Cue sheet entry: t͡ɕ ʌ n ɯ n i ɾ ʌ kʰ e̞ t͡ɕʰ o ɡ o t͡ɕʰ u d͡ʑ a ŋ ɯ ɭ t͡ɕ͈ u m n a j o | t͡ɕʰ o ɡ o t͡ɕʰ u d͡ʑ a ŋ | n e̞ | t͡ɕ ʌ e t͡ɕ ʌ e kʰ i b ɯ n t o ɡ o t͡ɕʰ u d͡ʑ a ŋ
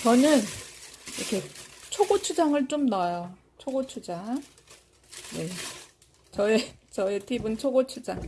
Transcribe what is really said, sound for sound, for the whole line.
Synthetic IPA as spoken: t͡ɕ ʌ n ɯ n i ɾ ʌ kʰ e̞ t͡ɕʰ o ɡ o t͡ɕʰ u d͡ʑ a ŋ ɯ ɭ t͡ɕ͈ o m n a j o | t͡ɕʰ o ɡ o t͡ɕʰ u d͡ʑ a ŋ | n e̞ | t͡ɕ ʌ e t͡ɕ ʌ e tʰ i b ɯ n t͡ɕʰ o ɡ o t͡ɕʰ u d͡ʑ a ŋ